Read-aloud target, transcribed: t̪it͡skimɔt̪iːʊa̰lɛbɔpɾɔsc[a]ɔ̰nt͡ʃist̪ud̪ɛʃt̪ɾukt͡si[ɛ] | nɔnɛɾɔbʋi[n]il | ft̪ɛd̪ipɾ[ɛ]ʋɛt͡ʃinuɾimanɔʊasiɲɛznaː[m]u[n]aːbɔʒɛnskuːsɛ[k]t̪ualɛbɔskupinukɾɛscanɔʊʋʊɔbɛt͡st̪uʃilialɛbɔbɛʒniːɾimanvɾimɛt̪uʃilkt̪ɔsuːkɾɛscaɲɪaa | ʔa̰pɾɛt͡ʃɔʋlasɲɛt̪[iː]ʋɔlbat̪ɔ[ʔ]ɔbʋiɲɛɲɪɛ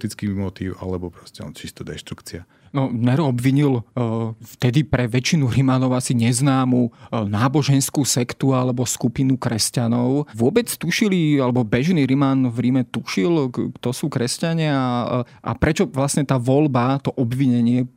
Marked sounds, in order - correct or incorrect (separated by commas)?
incorrect, incorrect, incorrect, correct, correct, correct, correct, incorrect, correct